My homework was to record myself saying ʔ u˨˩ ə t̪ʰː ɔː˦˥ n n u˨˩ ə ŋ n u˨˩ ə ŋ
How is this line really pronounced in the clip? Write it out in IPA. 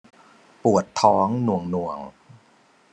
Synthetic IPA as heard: p u˨˩ ə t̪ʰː ɔː˦˥ ŋ n u˨˩ ə ŋ n u˨˩ ə ŋ